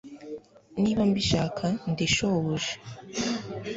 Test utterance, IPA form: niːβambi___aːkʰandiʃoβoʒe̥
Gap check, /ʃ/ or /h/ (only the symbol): ʃ